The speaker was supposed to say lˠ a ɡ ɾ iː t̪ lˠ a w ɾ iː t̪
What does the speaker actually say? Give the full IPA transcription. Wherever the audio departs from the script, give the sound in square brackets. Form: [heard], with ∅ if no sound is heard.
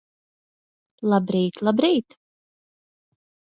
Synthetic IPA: lˠ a [b] ɾ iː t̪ lˠ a [b] ɾ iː t̪